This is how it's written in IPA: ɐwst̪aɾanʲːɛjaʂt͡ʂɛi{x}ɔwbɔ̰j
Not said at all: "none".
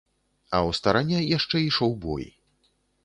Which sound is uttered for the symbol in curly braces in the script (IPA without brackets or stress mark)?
ʂ